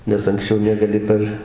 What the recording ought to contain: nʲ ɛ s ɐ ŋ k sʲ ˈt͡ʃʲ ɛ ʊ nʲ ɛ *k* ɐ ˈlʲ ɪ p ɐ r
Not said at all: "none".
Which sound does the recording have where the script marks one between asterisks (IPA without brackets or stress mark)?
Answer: ɡ